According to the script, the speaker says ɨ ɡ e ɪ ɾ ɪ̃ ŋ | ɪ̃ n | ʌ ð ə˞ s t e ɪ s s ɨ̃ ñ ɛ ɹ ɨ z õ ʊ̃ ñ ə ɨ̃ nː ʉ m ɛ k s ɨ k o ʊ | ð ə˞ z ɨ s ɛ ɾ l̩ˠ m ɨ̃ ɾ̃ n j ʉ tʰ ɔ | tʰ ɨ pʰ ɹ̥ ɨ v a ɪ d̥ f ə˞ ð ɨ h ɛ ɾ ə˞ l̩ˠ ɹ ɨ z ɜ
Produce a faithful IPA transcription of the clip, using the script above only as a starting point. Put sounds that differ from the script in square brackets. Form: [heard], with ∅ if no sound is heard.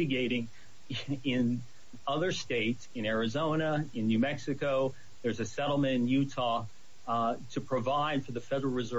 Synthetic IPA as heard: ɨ ɡ e ɪ ɾ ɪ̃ ŋ | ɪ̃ n | ʌ ð ə˞ s t e ɪ [t] s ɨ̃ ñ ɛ ɹ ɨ z õ ʊ̃ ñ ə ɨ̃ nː ʉ m ɛ k s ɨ k o ʊ | ð ə˞ z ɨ s ɛ ɾ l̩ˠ m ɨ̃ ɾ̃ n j ʉ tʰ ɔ | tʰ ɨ pʰ ɹ̥ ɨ v a ɪ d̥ f ə˞ ð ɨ [f] ɛ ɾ ə˞ l̩ˠ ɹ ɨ z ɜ